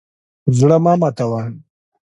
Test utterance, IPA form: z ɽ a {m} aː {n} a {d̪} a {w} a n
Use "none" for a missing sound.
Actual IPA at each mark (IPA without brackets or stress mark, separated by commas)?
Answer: m, m, t̪, w